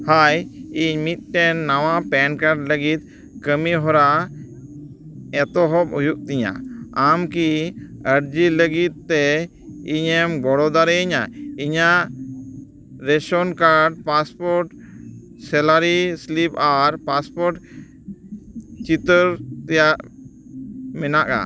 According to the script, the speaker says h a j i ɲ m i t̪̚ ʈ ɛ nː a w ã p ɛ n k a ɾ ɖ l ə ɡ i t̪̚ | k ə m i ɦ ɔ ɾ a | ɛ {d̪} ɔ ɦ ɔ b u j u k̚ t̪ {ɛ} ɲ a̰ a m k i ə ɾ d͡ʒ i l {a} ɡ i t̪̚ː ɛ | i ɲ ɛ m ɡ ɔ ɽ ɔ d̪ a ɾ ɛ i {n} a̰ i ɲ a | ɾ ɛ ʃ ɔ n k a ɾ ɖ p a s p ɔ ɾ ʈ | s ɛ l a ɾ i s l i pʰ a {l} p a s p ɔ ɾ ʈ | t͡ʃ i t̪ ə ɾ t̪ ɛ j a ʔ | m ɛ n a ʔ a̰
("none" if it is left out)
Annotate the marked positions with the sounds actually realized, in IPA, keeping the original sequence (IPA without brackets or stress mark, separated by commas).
t̪, i, ə, ɲ, ɾ